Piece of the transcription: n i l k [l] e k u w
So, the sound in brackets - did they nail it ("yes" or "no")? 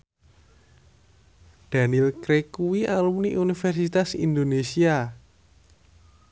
no